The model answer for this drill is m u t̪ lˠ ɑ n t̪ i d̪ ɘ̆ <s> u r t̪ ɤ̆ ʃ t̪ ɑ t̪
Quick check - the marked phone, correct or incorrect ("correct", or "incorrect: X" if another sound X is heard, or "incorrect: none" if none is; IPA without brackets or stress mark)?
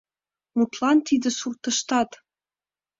correct